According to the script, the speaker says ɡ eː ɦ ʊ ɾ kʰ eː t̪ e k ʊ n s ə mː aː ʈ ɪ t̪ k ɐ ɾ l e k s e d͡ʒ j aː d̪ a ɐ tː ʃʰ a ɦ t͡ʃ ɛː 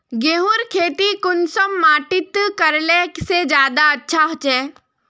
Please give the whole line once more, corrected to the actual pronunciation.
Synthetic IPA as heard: ɡ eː ɦ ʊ ɾ kʰ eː t̪ i k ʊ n s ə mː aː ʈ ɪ t̪ k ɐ ɾ l e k s e d͡ʒ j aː d̪ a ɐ tː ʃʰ a ɦ t͡ʃ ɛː

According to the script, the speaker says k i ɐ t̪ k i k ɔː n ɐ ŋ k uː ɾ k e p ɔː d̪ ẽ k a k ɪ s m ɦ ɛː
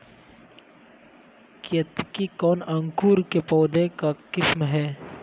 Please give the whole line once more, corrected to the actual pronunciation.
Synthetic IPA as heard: k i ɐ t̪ k i k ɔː n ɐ ŋ k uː ɾ k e p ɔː d̪ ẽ k a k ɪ s m ɦ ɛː

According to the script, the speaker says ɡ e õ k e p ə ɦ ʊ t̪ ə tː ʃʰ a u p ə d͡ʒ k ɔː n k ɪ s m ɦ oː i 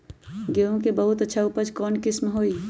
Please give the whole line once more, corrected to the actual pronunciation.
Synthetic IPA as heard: ɡ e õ k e b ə ɦ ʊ t̪ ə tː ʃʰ a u p ə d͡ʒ k ɔː n k ɪ s m ɦ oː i

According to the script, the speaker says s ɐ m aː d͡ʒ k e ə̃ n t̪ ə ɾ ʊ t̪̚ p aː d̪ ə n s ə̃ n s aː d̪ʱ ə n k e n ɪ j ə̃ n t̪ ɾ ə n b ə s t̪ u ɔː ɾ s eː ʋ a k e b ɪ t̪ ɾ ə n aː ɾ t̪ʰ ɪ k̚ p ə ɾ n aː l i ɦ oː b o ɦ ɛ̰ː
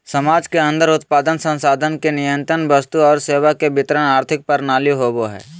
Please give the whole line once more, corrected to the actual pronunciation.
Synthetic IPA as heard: s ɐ m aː d͡ʒ k e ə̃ n d̪ ə ɾ ʊ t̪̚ p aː d̪ ə n s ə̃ n s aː d̪ʱ ə n k e n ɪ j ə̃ n t̪ ɾ ə n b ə s t̪ u ɔː ɾ s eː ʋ a k e b ɪ t̪ ɾ ə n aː ɾ t̪ʰ ɪ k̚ p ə ɾ n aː l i ɦ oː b o ɦ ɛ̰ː

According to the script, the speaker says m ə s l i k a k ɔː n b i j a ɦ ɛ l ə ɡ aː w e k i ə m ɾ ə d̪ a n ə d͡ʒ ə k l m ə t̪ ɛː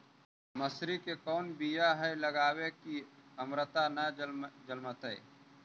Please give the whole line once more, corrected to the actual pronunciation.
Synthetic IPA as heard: m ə s ɾ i k e k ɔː n b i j a ɦ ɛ l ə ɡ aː w e k i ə m ɾ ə t̪ a n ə d͡ʒ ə l m ə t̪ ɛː

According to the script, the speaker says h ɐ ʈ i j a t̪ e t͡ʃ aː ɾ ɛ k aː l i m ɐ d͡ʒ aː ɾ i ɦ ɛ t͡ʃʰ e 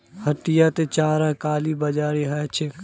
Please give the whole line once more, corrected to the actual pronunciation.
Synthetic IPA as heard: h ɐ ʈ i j a t̪ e t͡ʃ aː ɾ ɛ k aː l i b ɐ d͡ʒ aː ɾ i ɦ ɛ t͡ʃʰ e

